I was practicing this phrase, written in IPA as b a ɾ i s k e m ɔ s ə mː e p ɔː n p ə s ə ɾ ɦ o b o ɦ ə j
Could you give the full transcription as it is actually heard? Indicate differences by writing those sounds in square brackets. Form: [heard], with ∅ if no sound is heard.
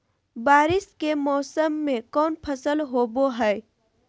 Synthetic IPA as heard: b a ɾ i s k e m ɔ s ə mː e [k] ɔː n [pʰ] ə s ə [l] ɦ o b o ɦ ə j